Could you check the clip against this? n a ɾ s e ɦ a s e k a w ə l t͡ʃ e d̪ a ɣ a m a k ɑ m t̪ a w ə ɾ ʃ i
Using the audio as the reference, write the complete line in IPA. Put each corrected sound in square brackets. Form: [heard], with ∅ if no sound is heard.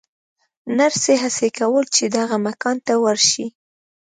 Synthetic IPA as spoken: n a ɾ s e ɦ a s e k a w ə l t͡ʃ e d̪ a ɣ a m a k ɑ [n] t̪ a w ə ɾ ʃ i